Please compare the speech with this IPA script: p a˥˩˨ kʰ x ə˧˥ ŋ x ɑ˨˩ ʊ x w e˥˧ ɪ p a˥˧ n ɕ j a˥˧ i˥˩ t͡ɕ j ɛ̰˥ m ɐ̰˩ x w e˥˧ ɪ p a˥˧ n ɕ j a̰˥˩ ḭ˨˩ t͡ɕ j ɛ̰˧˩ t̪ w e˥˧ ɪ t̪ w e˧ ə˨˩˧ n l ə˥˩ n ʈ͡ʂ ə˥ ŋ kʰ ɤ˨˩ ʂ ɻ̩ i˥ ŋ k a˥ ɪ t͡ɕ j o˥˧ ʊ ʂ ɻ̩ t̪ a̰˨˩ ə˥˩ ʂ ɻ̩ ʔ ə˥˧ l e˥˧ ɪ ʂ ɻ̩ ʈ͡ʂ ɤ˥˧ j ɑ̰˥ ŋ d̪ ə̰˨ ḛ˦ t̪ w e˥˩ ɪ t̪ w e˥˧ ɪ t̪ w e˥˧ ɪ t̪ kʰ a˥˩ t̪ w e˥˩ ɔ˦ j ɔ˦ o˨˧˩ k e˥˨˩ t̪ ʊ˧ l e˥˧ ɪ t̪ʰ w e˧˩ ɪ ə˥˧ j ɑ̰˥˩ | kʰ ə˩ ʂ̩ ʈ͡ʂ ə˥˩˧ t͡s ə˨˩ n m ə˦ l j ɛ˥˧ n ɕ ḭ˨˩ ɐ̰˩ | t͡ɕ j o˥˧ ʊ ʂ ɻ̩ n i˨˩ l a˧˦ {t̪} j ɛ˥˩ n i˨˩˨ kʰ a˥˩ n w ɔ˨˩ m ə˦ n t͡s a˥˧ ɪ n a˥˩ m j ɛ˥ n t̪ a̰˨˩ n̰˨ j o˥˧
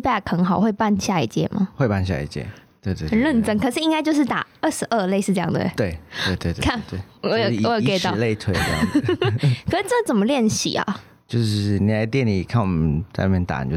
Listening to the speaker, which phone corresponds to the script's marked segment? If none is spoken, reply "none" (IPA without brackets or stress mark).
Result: t̪